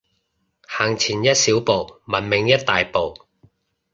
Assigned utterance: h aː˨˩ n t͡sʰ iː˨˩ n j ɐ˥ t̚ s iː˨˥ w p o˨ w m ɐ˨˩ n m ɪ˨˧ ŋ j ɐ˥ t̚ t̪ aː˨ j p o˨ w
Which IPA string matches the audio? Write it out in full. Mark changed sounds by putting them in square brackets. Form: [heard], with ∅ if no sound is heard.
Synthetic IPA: h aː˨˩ [ŋ] t͡sʰ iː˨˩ n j ɐ˥ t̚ s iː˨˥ w p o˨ w m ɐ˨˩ n m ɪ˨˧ ŋ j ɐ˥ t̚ t̪ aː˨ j p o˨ w